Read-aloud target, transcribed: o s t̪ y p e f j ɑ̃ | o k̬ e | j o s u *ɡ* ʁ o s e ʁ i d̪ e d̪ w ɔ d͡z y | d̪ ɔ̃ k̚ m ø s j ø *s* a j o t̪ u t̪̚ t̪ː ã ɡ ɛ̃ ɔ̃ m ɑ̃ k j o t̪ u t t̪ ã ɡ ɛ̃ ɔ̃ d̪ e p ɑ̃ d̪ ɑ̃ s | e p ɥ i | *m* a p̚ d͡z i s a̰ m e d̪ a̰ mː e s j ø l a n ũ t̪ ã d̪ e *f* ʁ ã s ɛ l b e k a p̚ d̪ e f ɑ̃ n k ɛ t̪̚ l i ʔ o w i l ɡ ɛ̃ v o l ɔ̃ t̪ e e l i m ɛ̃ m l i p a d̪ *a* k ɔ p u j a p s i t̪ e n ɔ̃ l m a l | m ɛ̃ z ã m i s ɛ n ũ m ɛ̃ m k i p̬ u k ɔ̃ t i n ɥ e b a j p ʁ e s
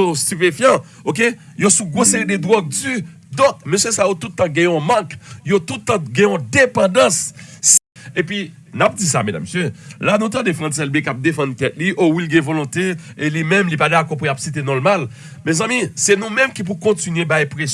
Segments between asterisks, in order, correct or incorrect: correct, correct, incorrect: n, correct, correct

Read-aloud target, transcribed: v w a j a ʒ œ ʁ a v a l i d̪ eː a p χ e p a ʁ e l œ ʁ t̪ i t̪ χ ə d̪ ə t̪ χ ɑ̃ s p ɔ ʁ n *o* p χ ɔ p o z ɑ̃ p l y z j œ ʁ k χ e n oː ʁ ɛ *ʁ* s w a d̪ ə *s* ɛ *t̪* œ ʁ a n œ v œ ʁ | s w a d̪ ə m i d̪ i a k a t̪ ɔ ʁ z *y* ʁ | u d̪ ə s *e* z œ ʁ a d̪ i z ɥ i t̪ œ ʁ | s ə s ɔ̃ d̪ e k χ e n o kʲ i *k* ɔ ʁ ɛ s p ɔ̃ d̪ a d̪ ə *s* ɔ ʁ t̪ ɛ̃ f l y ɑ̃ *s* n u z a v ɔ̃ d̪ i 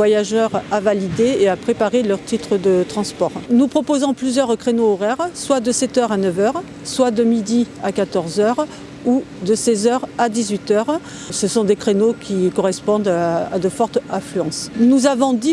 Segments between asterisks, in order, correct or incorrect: incorrect: u, correct, correct, correct, incorrect: œ, incorrect: ɛ, correct, incorrect: f, correct

